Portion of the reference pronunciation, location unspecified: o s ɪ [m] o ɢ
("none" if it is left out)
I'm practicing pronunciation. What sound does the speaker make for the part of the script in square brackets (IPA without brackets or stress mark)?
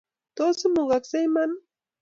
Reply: m